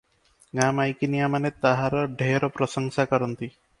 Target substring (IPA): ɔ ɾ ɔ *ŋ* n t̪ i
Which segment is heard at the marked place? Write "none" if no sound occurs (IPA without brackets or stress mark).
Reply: none